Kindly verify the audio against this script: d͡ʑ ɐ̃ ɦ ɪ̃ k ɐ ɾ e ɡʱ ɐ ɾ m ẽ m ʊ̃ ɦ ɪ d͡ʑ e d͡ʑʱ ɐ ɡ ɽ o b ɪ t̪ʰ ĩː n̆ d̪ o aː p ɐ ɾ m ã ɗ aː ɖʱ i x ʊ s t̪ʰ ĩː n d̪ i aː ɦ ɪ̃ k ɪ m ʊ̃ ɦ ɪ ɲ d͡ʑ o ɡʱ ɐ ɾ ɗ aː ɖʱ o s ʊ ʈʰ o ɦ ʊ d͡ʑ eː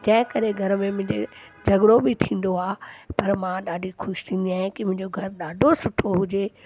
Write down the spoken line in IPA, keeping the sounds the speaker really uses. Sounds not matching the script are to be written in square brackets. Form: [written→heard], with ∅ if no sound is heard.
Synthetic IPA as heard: d͡ʑ ɐ̃ ɦ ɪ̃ k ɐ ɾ e ɡʱ ɐ ɾ m ẽ m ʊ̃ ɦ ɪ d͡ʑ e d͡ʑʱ ɐ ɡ ɽ o b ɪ t̪ʰ ĩː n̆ d̪ o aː p ɐ ɾ m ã ɗ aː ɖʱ i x ʊ [s→ʃ] t̪ʰ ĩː n d̪ i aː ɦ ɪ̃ k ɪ m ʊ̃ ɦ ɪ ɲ d͡ʑ o ɡʱ ɐ ɾ ɗ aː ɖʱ o s ʊ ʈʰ o ɦ ʊ d͡ʑ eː

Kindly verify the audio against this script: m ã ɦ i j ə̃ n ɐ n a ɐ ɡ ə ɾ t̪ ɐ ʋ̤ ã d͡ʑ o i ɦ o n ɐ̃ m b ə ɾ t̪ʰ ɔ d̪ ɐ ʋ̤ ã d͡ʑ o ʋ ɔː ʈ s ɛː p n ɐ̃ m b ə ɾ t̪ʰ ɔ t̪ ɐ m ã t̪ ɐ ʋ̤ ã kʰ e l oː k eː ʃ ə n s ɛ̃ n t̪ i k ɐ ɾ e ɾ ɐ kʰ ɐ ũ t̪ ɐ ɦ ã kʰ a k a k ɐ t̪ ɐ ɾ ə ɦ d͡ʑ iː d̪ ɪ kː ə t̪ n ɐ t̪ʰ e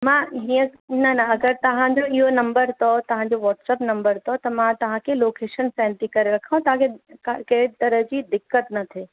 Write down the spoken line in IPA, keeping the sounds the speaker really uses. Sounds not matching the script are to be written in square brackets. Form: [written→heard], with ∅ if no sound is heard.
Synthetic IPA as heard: m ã ɦ i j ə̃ n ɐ n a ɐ ɡ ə ɾ t̪ ɐ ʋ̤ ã d͡ʑ o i ɦ o n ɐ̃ m b ə ɾ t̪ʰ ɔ [d̪→t̪] ɐ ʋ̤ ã d͡ʑ o ʋ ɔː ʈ s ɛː p n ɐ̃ m b ə ɾ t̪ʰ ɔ t̪ ɐ m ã t̪ ɐ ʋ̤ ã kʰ e l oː k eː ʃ ə n s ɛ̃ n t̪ i k ɐ ɾ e ɾ ɐ kʰ [ɐ→a] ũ t̪ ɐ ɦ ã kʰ [a→e] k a k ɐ t̪ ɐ ɾ ə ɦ d͡ʑ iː d̪ ɪ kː ə t̪ n ɐ t̪ʰ e

